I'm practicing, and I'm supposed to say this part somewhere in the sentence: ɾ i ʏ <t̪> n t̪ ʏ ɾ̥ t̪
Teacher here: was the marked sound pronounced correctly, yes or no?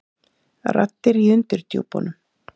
no